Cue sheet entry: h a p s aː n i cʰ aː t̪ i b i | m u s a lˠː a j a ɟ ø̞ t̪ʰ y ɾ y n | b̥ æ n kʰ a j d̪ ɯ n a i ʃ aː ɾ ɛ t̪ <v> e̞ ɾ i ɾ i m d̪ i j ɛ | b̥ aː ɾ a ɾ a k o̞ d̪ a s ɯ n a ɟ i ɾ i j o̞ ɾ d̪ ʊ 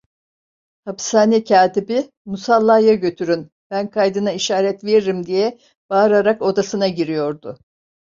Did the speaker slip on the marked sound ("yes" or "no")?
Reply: no